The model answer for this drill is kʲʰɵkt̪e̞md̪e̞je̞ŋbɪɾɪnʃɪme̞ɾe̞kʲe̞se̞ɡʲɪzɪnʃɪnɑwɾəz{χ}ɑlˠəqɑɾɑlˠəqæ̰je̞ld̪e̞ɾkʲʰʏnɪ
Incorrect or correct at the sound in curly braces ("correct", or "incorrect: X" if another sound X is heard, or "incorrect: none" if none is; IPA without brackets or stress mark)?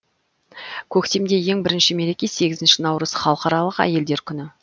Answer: correct